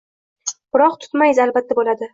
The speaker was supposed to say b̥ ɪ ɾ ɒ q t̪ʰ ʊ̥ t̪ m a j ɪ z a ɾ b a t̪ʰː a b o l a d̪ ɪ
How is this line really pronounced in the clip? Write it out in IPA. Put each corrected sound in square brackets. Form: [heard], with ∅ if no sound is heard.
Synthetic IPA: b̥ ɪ ɾ ɒ q t̪ʰ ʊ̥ t̪ m a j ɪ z a [l] b a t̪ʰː a b o l a d̪ ɪ